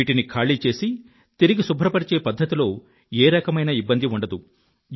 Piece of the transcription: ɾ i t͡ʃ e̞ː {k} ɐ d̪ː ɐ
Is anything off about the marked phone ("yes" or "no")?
yes